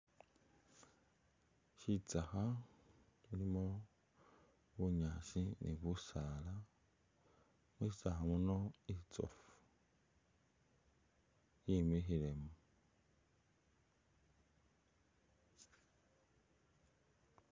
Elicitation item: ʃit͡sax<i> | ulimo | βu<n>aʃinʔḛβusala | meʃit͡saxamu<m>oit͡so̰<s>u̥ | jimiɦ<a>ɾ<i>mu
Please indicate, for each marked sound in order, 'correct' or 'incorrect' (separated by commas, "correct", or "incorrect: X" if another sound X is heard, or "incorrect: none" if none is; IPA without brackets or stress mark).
incorrect: a, incorrect: ɲ, incorrect: n, incorrect: f, incorrect: i, incorrect: e